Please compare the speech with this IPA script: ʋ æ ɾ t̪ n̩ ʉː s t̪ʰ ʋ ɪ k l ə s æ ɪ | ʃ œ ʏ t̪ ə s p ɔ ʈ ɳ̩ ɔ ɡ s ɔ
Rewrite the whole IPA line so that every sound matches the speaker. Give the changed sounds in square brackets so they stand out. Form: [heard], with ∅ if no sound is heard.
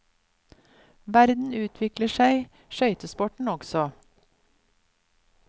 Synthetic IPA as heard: ʋ æ ɾ [d̪] n̩ ʉː [∅] t̪ʰ ʋ ɪ k l ə [ʃ] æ ɪ | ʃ œ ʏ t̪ ə s p ɔ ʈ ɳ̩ ɔ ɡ s ɔ